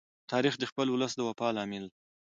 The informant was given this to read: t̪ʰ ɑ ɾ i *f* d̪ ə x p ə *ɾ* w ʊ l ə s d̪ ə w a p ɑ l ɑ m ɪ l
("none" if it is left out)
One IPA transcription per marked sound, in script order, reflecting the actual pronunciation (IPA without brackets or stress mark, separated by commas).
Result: x, l